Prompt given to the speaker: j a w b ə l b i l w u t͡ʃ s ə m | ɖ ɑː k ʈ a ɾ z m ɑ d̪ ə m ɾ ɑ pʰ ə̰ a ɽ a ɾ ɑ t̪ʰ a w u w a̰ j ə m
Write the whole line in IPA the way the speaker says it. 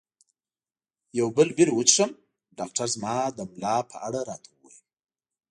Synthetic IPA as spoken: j a w b ə l b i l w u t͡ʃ ʂ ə m | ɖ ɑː k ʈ a ɾ z m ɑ d̪ ə m l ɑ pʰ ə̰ a ɽ a ɾ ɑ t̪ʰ a w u w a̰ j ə m